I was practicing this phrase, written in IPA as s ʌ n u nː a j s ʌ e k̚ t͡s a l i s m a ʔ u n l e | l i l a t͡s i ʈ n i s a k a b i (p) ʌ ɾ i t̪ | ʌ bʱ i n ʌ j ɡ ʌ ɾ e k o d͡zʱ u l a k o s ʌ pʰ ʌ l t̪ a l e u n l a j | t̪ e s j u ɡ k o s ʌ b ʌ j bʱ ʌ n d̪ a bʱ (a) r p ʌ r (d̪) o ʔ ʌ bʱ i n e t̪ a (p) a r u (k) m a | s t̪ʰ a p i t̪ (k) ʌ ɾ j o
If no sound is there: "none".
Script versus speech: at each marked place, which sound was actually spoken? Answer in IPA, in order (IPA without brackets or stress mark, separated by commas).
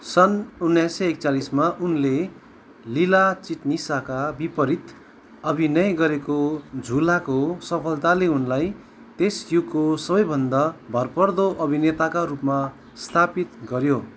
p, ʌ, d̪, k, p, ɡ